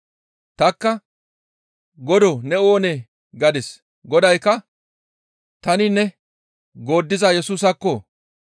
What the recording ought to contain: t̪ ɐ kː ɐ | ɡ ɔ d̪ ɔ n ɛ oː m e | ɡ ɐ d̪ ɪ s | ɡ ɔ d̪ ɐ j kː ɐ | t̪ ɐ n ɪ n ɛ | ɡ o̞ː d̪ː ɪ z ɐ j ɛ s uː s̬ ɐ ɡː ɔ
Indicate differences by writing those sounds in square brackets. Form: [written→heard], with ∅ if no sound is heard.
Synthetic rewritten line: t̪ ɐ kː ɐ | ɡ ɔ d̪ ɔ n ɛ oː [m→n] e | ɡ ɐ d̪ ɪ s | ɡ ɔ d̪ ɐ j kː ɐ | t̪ ɐ n ɪ n ɛ | ɡ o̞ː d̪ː ɪ z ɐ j ɛ s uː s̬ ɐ [ɡː→kː] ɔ